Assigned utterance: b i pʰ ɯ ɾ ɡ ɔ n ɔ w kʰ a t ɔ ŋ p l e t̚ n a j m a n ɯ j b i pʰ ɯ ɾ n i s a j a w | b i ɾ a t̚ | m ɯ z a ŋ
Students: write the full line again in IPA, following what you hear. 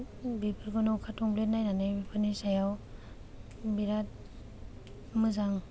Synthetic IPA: b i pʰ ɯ ɾ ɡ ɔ n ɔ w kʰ a t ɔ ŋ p l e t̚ n a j n a n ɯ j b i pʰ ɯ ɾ n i s a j a w | b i ɾ a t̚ | m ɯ z a ŋ